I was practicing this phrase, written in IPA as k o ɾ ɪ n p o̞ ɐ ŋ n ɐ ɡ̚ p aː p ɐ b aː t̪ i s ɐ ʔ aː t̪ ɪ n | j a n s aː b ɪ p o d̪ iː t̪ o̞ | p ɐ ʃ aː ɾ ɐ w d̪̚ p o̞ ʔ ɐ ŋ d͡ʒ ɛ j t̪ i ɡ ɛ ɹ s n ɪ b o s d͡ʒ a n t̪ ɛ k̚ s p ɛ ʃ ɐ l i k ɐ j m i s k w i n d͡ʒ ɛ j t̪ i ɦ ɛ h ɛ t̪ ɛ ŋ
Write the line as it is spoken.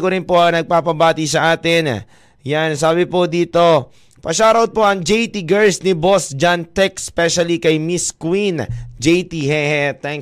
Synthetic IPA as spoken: k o ɾ ɪ n p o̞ ɐ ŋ n ɐ ɡ̚ p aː p ɐ b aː t̪ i s ɐ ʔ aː t̪ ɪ n | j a n s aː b ɪ p o d̪ iː t̪ o̞ | p ɐ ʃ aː ɾ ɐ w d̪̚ p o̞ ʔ ɐ ŋ d͡ʒ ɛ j t̪ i ɡ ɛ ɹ s n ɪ b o s d͡ʒ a n t̪ ɛ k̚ s p ɛ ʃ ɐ l i k ɐ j m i s k w i n d͡ʒ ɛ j t̪ i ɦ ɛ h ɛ t̪ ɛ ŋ